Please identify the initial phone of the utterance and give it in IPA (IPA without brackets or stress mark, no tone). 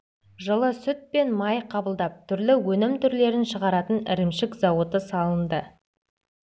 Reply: ʒ